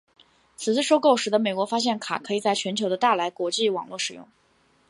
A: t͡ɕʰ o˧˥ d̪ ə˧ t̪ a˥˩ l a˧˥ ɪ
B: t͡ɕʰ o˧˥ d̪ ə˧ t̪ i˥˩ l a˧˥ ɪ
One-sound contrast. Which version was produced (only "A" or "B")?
A